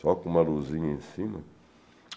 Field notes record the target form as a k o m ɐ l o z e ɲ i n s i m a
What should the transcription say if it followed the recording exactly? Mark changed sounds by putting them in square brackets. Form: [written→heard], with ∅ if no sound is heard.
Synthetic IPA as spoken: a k [o→u] m [ɐ→a] l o z [e→i] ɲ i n s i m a